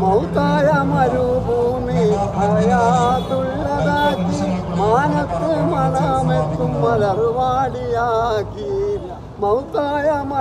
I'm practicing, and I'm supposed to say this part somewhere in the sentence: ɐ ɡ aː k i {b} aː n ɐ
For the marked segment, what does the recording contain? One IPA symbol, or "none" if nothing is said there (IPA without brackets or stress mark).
m